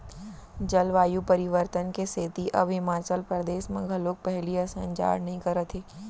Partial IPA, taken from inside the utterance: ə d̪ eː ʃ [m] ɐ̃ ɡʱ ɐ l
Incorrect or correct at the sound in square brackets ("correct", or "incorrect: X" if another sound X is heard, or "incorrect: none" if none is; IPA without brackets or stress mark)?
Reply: correct